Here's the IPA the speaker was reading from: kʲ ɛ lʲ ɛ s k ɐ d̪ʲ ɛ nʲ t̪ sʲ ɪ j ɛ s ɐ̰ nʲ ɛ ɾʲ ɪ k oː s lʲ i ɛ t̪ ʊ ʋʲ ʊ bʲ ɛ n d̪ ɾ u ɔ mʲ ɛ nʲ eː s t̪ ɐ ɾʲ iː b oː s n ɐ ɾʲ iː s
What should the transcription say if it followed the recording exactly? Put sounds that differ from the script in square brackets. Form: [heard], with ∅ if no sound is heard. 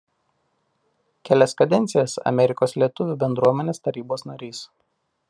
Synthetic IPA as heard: kʲ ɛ lʲ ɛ s k ɐ d̪ʲ ɛ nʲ t̪ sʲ ɪ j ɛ s ɐ̰ [mʲ] ɛ ɾʲ ɪ k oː s lʲ i ɛ t̪ ʊ ʋʲ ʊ bʲ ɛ n d̪ ɾ u ɔ mʲ ɛ nʲ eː s t̪ ɐ ɾʲ iː b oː s n ɐ ɾʲ iː s

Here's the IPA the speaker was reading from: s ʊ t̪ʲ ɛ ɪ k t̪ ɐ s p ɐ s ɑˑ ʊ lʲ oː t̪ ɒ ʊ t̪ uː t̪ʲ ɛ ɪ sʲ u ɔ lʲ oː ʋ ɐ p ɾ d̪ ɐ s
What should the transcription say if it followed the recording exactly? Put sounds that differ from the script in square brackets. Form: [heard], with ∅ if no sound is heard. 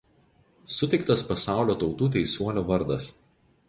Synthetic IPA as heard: s ʊ t̪ʲ ɛ ɪ k t̪ ɐ s p ɐ s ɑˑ ʊ lʲ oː t̪ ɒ ʊ t̪ uː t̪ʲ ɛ ɪ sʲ u ɔ lʲ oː ʋ ɐ [∅] ɾ d̪ ɐ s

